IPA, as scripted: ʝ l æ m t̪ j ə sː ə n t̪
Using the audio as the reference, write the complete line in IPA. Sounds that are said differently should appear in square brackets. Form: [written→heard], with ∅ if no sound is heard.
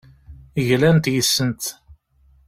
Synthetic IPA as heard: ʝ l æ [m→n] t̪ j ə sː ə n t̪